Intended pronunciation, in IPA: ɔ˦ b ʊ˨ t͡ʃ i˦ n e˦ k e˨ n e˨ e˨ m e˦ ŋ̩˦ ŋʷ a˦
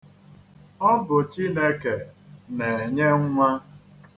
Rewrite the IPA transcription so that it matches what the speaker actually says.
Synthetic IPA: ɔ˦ b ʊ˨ t͡ʃ i˦ n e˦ k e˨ n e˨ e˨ ɲ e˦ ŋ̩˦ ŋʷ a˦